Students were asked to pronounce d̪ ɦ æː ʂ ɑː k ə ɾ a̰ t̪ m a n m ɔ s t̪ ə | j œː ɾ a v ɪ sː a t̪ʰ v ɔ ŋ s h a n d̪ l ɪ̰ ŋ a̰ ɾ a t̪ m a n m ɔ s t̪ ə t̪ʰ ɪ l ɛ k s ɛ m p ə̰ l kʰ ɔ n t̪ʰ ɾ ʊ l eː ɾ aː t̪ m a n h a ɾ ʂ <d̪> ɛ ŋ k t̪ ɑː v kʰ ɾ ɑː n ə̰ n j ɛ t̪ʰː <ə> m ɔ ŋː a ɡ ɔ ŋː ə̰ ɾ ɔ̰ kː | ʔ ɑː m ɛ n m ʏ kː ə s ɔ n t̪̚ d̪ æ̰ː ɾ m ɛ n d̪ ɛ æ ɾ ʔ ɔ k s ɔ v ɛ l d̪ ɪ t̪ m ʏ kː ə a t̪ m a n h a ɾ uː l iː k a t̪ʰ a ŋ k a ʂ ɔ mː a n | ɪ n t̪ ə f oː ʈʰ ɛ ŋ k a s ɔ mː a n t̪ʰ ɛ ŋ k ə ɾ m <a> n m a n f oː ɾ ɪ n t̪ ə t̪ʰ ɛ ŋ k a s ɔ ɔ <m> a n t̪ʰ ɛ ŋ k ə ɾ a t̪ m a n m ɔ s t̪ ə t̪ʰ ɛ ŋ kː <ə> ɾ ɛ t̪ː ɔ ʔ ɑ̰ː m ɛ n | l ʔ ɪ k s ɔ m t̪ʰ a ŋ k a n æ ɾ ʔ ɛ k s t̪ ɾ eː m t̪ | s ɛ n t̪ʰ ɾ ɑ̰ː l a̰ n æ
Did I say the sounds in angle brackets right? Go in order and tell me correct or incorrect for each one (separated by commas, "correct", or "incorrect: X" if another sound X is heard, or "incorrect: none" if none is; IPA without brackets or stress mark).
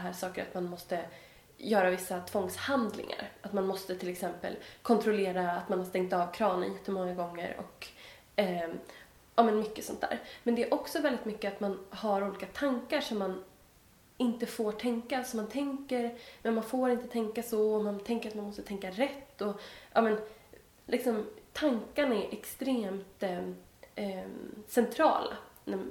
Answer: incorrect: t̪, correct, incorrect: ɛ, correct, incorrect: a